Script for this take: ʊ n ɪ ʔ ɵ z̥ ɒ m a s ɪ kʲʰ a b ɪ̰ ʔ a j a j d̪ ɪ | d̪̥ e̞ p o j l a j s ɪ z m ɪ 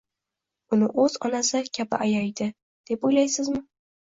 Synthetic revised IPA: ʊ n ɪ ʔ ɵ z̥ ɒ n a s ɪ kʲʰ a b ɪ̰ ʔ a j a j d̪ ɪ | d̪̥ e̞ p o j l a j s ɪ z m ɪ